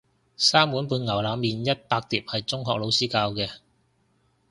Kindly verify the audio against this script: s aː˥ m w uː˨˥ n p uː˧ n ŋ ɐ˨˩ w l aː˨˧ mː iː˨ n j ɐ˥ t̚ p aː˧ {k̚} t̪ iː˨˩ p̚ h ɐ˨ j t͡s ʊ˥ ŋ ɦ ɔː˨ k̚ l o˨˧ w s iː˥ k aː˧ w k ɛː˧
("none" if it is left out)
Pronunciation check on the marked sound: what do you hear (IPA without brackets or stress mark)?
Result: k̚